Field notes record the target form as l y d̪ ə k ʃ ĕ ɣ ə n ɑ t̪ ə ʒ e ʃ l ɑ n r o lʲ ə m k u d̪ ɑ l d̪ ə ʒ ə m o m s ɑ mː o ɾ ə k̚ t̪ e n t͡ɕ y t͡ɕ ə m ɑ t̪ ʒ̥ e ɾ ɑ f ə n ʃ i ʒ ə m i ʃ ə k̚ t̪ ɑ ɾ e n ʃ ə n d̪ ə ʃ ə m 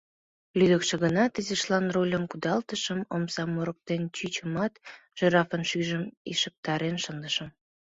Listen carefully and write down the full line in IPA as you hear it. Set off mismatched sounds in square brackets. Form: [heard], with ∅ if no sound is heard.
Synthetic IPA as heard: l y d̪ ə k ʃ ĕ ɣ ə n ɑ t̪ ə [z] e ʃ l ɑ n r o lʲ ə m k u d̪ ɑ l [t̪] ə [ʃ] ə m o m s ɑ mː o ɾ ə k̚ t̪ e n t͡ɕ y t͡ɕ ə m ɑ t̪ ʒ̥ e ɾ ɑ f ə n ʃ [y] ʒ ə m i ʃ ə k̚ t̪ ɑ ɾ e n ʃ ə n d̪ ə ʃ ə m

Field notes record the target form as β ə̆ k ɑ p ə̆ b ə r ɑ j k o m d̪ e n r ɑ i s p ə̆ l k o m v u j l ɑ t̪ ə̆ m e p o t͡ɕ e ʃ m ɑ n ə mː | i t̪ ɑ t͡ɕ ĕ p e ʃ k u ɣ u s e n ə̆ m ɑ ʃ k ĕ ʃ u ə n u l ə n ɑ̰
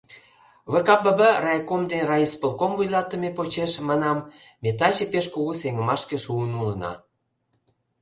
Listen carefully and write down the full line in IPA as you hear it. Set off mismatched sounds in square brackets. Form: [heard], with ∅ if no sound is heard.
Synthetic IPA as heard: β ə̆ k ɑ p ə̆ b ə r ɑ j k o m d̪ e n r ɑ i s p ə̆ l k o m v u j l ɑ t̪ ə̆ m e p o t͡ɕ e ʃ m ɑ n [ɑ] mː | [e] t̪ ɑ t͡ɕ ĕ p e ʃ k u ɣ u s e [ŋ] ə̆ m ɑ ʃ k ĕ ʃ u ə n u l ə n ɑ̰

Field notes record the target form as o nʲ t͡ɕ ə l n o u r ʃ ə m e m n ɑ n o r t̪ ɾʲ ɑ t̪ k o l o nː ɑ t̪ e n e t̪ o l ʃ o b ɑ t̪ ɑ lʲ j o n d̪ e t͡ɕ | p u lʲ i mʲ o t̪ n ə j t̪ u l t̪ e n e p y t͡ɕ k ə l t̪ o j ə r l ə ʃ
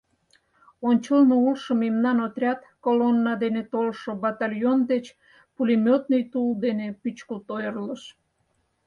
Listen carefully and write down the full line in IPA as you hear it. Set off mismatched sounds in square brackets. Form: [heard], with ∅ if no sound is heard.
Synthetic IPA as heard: o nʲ t͡ɕ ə l n o u [l] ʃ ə m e m n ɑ n o [∅] t̪ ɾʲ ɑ t̪ k o l o nː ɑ [d̪] e n e t̪ o l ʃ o b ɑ t̪ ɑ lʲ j o n d̪ e t͡ɕ | p u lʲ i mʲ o t̪ n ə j t̪ u l [d̪] e n e p y t͡ɕ k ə l t̪ o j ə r l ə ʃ

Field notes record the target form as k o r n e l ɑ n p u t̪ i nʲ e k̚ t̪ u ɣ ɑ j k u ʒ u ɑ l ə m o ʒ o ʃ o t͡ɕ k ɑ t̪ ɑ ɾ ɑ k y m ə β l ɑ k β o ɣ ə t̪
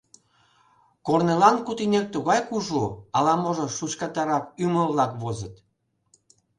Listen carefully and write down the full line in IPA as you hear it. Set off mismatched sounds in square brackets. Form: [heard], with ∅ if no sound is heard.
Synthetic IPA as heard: k o r n e l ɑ n [k] u t̪ i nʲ e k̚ t̪ u ɣ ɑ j k u ʒ u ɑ l [ɑ] m o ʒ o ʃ [u] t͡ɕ k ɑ t̪ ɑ ɾ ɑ k y m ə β l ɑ k β o [z] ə t̪

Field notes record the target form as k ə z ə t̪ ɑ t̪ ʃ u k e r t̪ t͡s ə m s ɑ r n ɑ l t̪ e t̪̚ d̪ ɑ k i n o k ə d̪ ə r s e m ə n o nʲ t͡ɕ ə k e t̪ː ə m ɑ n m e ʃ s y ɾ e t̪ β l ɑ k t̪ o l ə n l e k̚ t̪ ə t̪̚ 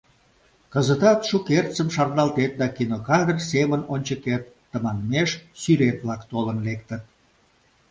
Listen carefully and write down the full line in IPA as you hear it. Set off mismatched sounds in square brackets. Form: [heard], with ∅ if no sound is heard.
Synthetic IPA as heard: k ə z ə t̪ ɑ t̪ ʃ u k e r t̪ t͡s ə m [ʃ] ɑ r n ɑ l t̪ e t̪̚ d̪ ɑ k i n o k [ɑ] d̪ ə r s e m ə n o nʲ t͡ɕ ə k e t̪ː ə m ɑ n m e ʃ s y ɾ e t̪ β l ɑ k t̪ o l ə n l e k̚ t̪ ə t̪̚

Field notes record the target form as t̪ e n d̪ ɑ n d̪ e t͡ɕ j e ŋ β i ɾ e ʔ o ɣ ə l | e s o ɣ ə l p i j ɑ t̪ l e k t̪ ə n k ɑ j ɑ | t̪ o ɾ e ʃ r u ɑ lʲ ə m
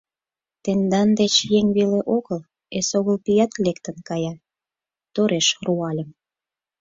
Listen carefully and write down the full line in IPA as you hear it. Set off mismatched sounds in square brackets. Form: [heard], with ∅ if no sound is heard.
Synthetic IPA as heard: t̪ e n d̪ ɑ n d̪ e t͡ɕ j e ŋ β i [l] e ʔ o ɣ ə l | e s o ɣ ə l p i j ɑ t̪ l e k t̪ ə n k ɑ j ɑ | t̪ o ɾ e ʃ r u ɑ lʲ ə m

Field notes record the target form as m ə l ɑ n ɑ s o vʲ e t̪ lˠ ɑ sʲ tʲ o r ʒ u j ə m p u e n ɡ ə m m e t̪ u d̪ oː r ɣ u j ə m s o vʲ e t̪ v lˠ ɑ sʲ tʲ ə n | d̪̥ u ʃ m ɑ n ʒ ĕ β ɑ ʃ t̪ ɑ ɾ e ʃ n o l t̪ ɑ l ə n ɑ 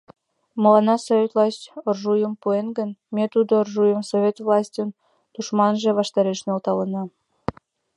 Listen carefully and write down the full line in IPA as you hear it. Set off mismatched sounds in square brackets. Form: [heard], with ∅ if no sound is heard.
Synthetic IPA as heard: m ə l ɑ n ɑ s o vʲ e t̪ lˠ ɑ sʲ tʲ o r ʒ u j ə m p u e n ɡ ə [n] m e t̪ u d̪ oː r [ʒ] u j ə m s o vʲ e t̪ v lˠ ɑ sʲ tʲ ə n | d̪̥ u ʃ m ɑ n ʒ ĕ β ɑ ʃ t̪ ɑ ɾ e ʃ n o l t̪ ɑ l ə n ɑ

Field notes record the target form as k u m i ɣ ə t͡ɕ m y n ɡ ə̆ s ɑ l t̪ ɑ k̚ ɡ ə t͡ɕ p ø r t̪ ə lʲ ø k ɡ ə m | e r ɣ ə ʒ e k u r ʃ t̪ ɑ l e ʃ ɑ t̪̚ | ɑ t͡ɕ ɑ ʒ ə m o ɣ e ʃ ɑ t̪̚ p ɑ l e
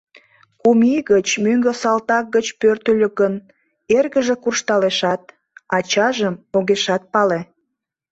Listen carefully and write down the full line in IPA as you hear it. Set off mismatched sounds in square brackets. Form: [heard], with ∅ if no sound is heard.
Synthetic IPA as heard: k u m i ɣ ə t͡ɕ m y [ŋ] ɡ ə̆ s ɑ l t̪ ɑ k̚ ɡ ə t͡ɕ p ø r t̪ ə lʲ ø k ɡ ə [n] | e r ɣ ə ʒ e k u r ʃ t̪ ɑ l e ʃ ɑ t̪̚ | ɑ t͡ɕ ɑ ʒ ə m o ɣ e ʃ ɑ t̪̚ p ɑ l e

